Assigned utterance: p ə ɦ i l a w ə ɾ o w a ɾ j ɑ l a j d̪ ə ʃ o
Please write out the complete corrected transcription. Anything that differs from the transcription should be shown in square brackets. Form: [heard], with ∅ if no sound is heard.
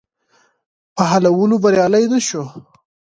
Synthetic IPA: p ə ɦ [a] l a w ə [l] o [b] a ɾ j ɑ l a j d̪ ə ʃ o